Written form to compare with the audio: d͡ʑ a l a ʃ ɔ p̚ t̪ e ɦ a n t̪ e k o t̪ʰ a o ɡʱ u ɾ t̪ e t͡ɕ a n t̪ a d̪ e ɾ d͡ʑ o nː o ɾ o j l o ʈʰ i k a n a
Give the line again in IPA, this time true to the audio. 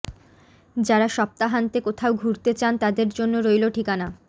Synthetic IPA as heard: d͡ʑ a ɾ a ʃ ɔ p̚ t̪ a ɦ a n t̪ e k o t̪ʰ a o ɡʱ u ɾ t̪ e t͡ɕ a n t̪ a d̪ e ɾ d͡ʑ o nː o ɾ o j l o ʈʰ i k a n a